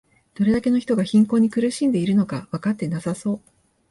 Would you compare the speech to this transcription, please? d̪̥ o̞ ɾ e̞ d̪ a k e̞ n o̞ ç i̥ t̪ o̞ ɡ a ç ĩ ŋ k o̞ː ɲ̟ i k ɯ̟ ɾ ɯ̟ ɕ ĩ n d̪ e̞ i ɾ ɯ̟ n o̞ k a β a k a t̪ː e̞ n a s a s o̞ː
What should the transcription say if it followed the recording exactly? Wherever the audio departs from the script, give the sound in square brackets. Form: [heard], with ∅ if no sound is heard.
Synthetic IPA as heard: d̪̥ o̞ ɾ e̞ d̪ a k e̞ n o̞ ç i̥ t̪ o̞ ɡ a ç ĩ ŋ k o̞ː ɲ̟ i k ɯ̟ ɾ ɯ̟ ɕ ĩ n d̪ e̞ i ɾ ɯ̟ n o̞ k a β a k a t̪ː e̞ n a s a s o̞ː